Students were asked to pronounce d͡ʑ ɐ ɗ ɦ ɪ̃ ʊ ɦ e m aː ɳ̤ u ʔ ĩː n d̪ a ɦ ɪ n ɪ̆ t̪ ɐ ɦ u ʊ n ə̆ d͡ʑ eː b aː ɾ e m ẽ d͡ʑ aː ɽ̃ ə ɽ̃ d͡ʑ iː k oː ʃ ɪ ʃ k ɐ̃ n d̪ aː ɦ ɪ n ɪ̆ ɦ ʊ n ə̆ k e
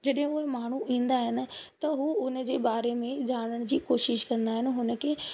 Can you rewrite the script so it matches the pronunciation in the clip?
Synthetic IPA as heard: d͡ʑ ɐ ɗ ɦ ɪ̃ ʊ ɦ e m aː ɳ̤ u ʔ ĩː n d̪ a ɦ ɪ n ɪ̆ t̪ ɐ ɦ u ʊ n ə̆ d͡ʑ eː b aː ɾ e m ẽ d͡ʑ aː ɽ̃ ə ɽ̃ d͡ʑ iː k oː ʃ ɪ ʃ k ɐ̃ n d̪ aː ɦ ɪ n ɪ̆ ɦ ʊ n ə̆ k e